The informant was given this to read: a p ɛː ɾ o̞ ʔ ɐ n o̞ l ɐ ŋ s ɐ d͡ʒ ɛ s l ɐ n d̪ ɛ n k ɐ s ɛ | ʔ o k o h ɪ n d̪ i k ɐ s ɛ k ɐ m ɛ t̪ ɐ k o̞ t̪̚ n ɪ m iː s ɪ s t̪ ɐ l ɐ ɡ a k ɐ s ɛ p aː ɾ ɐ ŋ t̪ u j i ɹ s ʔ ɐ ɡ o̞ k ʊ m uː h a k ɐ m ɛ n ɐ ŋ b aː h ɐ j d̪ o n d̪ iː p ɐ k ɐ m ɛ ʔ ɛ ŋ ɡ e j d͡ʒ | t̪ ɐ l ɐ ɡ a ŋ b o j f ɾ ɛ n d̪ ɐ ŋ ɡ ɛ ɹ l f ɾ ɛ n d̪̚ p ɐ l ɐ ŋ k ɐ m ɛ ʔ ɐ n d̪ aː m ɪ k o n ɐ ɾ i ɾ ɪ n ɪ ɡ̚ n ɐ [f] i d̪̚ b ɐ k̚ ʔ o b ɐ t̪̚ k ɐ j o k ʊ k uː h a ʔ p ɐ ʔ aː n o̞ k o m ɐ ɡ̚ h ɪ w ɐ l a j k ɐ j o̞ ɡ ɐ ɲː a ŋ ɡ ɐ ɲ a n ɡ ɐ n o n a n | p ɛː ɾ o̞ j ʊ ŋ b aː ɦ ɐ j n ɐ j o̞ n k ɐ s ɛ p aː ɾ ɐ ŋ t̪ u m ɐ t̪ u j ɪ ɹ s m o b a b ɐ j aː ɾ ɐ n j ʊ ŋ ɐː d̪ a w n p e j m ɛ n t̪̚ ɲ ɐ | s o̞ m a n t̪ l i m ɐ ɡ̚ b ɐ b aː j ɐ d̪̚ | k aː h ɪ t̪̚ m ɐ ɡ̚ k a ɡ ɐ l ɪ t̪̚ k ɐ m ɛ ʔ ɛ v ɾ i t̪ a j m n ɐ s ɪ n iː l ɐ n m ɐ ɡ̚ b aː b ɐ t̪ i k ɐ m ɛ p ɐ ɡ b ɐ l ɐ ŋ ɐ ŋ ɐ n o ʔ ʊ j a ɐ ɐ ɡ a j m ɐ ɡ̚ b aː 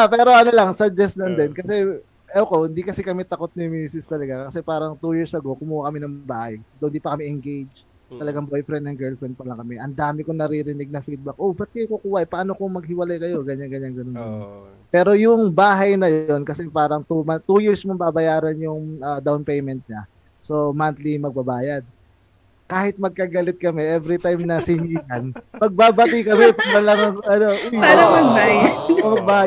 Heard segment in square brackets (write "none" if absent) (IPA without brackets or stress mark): f